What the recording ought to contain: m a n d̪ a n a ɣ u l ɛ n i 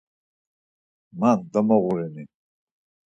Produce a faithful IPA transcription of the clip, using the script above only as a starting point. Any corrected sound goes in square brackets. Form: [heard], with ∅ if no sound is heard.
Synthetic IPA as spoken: m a n d̪ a [m] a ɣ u [ɾ] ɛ n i